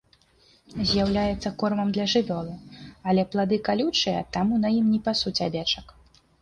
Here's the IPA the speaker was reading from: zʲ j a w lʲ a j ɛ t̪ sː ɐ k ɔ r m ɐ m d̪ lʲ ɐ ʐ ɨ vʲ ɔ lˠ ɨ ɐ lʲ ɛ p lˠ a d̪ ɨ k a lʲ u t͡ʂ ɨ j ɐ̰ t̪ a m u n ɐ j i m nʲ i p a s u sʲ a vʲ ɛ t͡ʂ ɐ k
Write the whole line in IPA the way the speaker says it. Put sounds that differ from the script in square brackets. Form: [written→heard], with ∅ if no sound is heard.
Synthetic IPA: zʲ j a w lʲ a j ɛ t̪ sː ɐ k ɔ r m ɐ m d̪ lʲ ɐ ʐ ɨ vʲ ɔ lˠ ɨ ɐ lʲ ɛ p lˠ a d̪ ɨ k a lʲ u t͡ʂ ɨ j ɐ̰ t̪ a m u n ɐ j i m nʲ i p a s u [sʲ→t͡sʲ] a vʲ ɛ t͡ʂ ɐ k

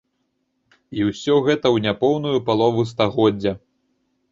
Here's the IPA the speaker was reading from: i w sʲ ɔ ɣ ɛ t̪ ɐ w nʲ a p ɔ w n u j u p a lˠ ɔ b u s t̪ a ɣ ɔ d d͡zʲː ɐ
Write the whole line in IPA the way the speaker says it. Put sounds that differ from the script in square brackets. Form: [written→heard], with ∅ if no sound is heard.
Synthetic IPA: i w sʲ ɔ ɣ ɛ t̪ ɐ w nʲ a p ɔ w n u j u p a lˠ ɔ [b→v] u s t̪ a ɣ ɔ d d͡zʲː ɐ

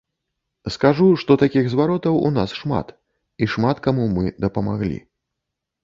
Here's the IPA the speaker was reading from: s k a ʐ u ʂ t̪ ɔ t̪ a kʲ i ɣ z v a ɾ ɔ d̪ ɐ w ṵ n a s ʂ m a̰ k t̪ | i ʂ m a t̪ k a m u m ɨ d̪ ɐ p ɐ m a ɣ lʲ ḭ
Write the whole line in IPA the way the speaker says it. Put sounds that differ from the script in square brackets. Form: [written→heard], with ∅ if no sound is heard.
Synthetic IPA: s k a ʐ u ʂ t̪ ɔ t̪ a kʲ i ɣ z v a ɾ ɔ [d̪→t̪] ɐ w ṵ n a s ʂ m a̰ [k→∅] t̪ | i ʂ m a t̪ k a m u m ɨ d̪ ɐ p ɐ m a ɣ lʲ ḭ

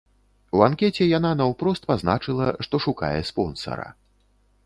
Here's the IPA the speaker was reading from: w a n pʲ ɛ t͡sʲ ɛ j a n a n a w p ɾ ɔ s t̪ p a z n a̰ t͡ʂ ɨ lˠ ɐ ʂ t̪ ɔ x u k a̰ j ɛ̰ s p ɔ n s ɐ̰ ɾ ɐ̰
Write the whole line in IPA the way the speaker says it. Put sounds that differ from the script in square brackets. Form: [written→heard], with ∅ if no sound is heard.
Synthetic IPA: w a n [pʲ→kʲ] ɛ t͡sʲ ɛ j a n a n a w p ɾ ɔ s t̪ p a z n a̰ t͡ʂ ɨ lˠ ɐ ʂ t̪ ɔ [x→ʂ] u k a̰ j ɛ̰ s p ɔ n s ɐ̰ ɾ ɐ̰

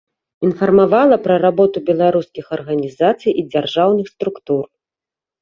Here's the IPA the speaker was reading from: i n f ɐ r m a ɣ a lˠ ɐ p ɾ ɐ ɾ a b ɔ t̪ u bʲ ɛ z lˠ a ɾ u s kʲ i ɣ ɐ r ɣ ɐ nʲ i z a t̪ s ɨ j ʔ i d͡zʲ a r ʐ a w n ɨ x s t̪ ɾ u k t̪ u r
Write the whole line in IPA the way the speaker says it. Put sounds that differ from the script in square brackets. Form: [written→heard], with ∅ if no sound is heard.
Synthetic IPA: i n f ɐ r m a [ɣ→v] a lˠ ɐ p ɾ ɐ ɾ a b ɔ t̪ u bʲ ɛ [z→∅] lˠ a ɾ u s kʲ i [ɣ→x] ɐ r ɣ ɐ nʲ i z a t̪ s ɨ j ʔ i d͡zʲ a r ʐ a w n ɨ x s t̪ ɾ u k t̪ u r

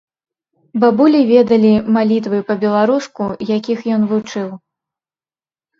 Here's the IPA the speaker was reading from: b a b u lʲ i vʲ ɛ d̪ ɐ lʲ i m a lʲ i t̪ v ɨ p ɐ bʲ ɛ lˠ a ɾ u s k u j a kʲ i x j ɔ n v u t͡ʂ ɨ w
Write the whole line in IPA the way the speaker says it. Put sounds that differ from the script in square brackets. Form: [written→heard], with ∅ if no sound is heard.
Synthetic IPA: b a b u lʲ i vʲ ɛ d̪ ɐ lʲ i m a lʲ i t̪ v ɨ p ɐ bʲ ɛ lˠ a ɾ u s k u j a kʲ i x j ɔ n v u t͡ʂ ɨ w

